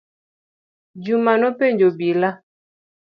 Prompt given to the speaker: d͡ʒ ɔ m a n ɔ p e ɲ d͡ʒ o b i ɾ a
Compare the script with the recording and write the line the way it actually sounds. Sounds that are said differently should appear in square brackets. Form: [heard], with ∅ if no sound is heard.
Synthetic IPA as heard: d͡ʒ [u] m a n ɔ p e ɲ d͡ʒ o b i [l] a